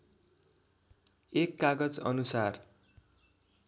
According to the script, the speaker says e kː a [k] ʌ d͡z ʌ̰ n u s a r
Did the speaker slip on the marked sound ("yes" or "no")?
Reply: yes